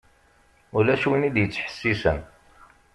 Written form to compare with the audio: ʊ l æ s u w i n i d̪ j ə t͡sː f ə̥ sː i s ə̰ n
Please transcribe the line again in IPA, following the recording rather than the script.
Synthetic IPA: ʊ l æ ʃ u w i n i d̪ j ə t͡sː ħ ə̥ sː i s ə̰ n

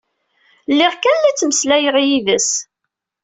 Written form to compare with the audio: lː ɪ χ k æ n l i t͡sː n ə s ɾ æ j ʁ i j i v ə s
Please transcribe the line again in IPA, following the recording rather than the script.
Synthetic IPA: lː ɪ ʁ k æ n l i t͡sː m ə s l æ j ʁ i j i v ə s

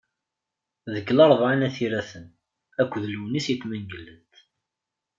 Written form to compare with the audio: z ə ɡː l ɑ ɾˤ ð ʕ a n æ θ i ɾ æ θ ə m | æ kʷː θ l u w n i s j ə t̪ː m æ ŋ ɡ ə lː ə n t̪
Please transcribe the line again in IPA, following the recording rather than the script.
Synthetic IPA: ð ə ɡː l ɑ ɾˤ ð ʕ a n æ θ i ɾ æ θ ə n | æ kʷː ð l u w n i s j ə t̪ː m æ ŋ ɡ ə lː ə n t̪

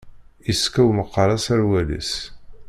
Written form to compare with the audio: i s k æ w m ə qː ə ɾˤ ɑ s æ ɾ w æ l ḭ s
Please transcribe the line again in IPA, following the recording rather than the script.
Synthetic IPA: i s k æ w m ə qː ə ɾˤ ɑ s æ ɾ w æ l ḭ s

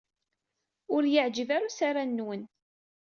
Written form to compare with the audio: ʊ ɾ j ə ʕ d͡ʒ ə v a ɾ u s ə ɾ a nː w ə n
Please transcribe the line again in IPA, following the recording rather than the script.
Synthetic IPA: ʊ ɾ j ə ʕ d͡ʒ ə v a ɾ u s a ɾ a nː w ə n

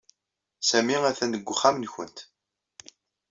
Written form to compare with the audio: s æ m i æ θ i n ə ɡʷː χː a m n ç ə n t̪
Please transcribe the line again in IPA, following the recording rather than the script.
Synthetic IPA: s æ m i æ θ æ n ə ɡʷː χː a m n ç ə n t̪

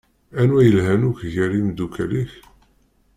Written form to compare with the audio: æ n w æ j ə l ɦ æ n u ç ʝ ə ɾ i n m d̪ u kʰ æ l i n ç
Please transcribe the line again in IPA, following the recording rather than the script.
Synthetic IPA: æ n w æ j ə l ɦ æ n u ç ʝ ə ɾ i m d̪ u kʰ æ l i ç

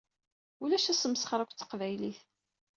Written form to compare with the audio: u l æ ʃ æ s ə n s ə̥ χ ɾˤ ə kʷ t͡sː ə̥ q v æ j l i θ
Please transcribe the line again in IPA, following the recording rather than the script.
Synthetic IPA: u l æ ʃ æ s ə m s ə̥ χ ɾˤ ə kʷ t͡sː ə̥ q v æ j l i θ

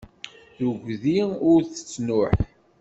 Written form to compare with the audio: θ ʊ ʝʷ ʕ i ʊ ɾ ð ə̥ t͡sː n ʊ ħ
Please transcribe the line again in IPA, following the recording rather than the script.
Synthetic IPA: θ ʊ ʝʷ ð i ʊ ɾ θ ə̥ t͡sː n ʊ ħ

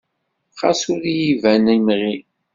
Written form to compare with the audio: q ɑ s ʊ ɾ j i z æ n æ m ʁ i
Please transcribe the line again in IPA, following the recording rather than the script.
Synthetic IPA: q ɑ s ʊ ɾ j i v æ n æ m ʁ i

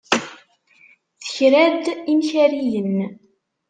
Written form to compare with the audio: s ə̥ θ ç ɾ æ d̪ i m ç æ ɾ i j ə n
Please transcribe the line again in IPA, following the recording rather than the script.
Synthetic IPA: θ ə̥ ç ɾ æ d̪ i m ç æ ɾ i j ə n

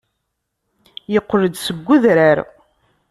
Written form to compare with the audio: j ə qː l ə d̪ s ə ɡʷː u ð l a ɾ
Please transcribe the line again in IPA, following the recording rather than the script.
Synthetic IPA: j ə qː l ə d̪ s ə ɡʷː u ð ɾ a ɾ

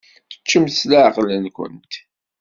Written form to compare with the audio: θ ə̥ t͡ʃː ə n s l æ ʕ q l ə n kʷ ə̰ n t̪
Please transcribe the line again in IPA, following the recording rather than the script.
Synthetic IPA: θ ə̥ t͡ʃː ə m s l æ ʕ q l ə n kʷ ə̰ n t̪

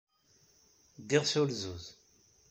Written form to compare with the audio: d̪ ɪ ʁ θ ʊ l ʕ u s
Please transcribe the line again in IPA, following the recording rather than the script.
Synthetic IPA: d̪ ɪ ʁ s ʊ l z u z

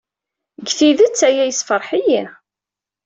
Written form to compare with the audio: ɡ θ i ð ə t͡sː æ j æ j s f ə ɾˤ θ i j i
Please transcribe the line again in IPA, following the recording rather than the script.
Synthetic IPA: ɡ θ i ð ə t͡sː æ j æ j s f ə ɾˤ ħ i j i

